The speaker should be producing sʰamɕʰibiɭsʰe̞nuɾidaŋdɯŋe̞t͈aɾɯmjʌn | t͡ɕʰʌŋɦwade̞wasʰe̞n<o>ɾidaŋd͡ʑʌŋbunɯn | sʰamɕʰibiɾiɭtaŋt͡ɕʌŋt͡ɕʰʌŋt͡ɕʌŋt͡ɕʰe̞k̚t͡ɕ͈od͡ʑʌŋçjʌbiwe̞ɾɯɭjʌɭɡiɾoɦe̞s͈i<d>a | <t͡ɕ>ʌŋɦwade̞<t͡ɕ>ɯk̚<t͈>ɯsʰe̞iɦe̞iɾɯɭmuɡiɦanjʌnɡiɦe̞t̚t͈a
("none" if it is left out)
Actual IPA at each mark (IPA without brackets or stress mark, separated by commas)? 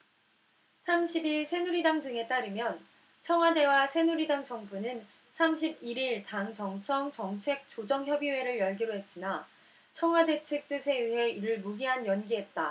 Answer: u, n, t͡ɕʰ, t͡ɕʰ, t͈